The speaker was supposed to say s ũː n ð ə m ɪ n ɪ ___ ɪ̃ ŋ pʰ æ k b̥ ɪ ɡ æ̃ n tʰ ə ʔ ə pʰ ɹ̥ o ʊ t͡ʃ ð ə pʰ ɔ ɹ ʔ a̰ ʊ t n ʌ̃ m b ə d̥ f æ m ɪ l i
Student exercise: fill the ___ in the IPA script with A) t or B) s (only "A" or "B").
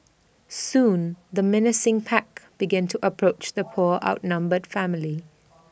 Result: B